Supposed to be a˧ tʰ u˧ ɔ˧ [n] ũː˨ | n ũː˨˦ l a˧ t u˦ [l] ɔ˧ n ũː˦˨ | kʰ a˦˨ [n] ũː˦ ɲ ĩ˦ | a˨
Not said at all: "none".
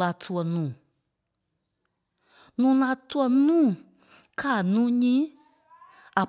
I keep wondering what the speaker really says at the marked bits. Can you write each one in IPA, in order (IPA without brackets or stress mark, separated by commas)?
n, none, n